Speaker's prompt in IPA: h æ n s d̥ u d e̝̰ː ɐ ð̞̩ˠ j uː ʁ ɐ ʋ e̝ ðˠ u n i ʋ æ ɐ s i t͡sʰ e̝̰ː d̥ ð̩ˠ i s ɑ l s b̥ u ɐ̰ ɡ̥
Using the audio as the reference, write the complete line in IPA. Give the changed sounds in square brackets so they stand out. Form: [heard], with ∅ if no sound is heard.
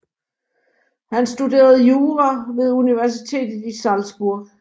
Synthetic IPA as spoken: h æ n s d̥ u d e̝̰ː ɐ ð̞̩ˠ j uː ʁ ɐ ʋ e̝ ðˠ u n i ʋ æ ɐ s i t͡sʰ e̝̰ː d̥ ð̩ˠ i s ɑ l s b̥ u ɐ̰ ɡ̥